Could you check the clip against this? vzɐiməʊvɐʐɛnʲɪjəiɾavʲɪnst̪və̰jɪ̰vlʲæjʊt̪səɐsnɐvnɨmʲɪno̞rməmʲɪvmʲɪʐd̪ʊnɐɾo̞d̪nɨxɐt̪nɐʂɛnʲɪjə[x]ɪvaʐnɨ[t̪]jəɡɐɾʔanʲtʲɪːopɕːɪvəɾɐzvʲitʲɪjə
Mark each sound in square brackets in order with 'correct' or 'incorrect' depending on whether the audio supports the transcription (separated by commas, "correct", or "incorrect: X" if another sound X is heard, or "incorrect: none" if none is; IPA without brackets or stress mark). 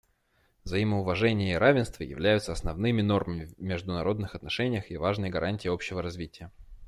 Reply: correct, incorrect: none